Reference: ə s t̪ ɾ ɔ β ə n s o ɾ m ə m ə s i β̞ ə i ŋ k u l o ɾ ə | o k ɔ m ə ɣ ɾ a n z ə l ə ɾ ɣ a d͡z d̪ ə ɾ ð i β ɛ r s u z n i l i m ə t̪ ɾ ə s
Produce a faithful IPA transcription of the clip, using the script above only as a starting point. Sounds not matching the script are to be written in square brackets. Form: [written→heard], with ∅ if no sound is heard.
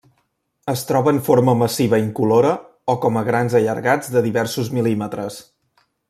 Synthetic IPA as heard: ə s t̪ ɾ ɔ β ə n [s→f] o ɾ m ə m ə s i β̞ ə i ŋ k u l o ɾ ə | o k ɔ m ə ɣ ɾ a n z ə [l→ʎ] ə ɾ ɣ a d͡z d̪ ə [ɾ→∅] ð i β ɛ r s u z [n→m] i l i m ə t̪ ɾ ə s